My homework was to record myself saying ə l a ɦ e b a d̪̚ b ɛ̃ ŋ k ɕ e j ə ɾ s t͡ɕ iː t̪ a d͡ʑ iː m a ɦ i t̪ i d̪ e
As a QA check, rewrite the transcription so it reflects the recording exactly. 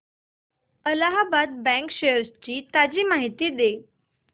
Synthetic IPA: ə l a ɦ a b a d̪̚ b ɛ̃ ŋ k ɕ e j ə ɾ s t͡ɕ iː t̪ a d͡ʑ iː m a ɦ i t̪ iː d̪ e